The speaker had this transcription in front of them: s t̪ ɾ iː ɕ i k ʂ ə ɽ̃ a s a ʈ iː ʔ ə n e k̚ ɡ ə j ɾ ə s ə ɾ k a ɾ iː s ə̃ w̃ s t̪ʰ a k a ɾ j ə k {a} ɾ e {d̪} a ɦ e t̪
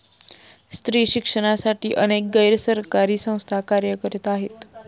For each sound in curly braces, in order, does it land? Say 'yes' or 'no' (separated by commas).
no, no